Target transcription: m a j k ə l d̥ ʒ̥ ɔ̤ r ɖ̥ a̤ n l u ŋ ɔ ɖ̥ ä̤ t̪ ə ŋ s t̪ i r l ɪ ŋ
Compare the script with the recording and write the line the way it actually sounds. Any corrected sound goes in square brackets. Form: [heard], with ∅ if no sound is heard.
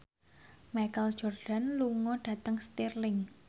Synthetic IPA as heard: m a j k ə l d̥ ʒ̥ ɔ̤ r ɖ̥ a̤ n l u ŋ ɔ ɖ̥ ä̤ t̪ ə ŋ s t̪ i r l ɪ ŋ